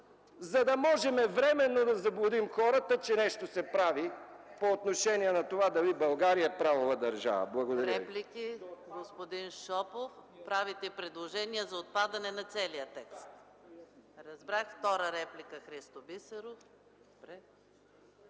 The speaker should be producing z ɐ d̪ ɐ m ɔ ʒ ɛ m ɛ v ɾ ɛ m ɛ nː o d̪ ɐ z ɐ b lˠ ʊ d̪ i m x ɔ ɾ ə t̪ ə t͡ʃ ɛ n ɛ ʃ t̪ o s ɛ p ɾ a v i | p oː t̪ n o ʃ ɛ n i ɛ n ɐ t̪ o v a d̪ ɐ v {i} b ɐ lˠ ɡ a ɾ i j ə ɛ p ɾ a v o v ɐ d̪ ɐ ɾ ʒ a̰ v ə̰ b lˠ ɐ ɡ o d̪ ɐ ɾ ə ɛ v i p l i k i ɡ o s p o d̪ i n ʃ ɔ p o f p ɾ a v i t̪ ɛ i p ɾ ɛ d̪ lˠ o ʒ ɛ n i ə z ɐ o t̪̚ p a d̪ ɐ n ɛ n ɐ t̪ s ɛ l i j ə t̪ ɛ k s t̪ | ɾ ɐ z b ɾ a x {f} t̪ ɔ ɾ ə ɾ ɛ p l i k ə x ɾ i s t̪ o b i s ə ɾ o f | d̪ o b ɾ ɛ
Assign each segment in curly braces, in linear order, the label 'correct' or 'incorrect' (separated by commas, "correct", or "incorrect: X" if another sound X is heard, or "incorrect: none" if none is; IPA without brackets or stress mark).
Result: correct, correct